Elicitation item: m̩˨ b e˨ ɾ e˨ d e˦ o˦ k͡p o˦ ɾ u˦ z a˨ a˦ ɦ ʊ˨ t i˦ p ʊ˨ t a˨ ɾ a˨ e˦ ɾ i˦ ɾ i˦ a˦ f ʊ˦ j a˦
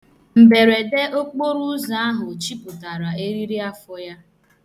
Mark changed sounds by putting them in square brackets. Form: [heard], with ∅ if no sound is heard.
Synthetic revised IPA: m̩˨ b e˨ ɾ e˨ d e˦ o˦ k͡p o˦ ɾ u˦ z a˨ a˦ ɦ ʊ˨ [t͡ʃ] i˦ p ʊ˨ t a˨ ɾ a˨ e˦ ɾ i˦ ɾ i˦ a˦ f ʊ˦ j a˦